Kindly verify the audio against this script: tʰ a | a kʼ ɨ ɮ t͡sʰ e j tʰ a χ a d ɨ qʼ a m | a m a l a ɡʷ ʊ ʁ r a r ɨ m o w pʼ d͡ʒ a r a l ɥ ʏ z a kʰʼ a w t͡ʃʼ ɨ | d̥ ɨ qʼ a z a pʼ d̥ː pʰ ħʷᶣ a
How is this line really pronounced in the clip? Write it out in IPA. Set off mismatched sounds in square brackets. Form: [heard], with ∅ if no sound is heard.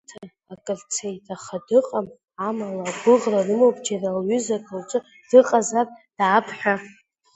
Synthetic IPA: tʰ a | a kʼ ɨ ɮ t͡sʰ e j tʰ a χ a d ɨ qʼ a m | a m a l a ɡʷ ʊ ʁ r a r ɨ m o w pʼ d͡ʒ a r a l ɥ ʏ z a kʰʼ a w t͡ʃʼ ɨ | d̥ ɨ qʼ a z a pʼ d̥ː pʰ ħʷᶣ a